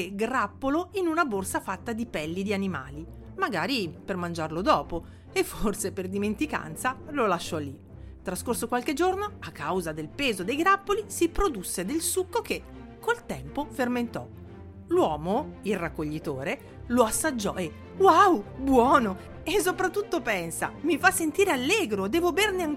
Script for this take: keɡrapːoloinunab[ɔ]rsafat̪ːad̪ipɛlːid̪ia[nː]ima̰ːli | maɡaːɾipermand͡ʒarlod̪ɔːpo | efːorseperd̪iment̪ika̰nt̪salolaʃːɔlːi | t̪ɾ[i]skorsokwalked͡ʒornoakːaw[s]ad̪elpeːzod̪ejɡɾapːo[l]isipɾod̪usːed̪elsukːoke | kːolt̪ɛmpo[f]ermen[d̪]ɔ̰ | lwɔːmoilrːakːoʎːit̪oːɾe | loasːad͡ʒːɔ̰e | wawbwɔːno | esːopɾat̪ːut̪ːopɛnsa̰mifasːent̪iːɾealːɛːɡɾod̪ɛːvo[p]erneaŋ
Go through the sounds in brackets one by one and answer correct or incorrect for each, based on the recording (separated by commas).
incorrect, incorrect, incorrect, incorrect, correct, correct, incorrect, incorrect